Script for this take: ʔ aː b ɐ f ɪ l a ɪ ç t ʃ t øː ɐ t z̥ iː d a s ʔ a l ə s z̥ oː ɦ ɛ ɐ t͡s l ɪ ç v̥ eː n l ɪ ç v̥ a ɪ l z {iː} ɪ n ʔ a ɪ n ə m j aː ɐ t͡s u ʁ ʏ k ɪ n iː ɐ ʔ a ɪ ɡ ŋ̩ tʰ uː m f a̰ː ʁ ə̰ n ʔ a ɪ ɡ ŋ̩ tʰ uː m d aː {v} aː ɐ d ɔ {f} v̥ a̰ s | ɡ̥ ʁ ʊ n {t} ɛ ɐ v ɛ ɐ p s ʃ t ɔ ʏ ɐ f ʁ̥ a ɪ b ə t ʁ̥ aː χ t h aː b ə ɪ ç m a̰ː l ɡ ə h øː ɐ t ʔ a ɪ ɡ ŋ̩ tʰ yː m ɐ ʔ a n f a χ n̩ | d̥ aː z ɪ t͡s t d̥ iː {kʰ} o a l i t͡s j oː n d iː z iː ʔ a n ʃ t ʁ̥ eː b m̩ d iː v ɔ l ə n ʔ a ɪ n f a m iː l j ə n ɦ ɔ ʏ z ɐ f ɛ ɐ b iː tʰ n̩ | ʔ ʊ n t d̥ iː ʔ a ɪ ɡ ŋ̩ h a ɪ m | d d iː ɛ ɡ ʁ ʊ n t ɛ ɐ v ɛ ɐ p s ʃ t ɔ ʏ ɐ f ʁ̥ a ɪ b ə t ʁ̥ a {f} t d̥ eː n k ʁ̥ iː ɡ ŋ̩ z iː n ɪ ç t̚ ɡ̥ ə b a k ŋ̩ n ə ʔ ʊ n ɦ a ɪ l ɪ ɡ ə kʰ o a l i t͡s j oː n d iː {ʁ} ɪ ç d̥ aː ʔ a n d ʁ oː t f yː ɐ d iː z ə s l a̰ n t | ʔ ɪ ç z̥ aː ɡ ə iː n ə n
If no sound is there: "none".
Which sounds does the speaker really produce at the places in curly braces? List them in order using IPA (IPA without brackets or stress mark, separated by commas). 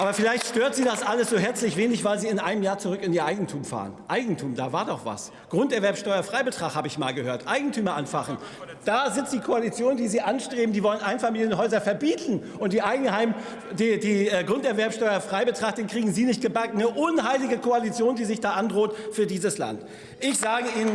iː, v, χ, t, kʰ, χ, z